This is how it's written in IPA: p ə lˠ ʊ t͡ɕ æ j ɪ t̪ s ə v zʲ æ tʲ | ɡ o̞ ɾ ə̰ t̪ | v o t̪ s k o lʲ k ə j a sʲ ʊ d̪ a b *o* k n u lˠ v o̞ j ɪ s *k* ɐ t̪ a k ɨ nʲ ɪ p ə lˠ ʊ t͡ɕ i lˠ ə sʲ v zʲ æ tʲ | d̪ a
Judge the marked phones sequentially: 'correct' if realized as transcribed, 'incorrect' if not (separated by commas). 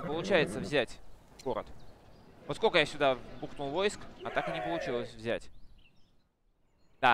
incorrect, correct